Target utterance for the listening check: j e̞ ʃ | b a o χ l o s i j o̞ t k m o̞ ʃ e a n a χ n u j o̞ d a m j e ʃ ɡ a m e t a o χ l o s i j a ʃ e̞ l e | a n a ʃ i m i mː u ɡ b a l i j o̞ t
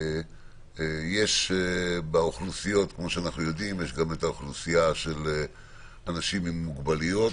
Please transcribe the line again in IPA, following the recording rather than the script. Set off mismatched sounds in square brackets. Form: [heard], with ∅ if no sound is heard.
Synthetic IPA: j e̞ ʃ | b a o χ l [u] s i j o̞ t k m o̞ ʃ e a n a χ n u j o̞ d [i] m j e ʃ ɡ a m e t a o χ l [u] s i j a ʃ e̞ l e | a n a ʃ i m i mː u ɡ b a l i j o̞ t